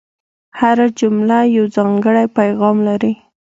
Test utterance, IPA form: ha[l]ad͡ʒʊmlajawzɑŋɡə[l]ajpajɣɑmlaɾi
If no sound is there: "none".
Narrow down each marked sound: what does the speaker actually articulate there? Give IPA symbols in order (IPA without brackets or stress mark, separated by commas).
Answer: ɾ, ɽ